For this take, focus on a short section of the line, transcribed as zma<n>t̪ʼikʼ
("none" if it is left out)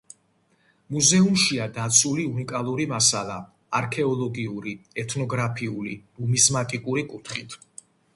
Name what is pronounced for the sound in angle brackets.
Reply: none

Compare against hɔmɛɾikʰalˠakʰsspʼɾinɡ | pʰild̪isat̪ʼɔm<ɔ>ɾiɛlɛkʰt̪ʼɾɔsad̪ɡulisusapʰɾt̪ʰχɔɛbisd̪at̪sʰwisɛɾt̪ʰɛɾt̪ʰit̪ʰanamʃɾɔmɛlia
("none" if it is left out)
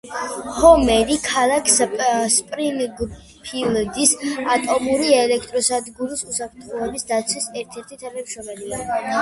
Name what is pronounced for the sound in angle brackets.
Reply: u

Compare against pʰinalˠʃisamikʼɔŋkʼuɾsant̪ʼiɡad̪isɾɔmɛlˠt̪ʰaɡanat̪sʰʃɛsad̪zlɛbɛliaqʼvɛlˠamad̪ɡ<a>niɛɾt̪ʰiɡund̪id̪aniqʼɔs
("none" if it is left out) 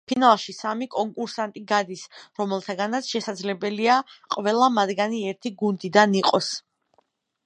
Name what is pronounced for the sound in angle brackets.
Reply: a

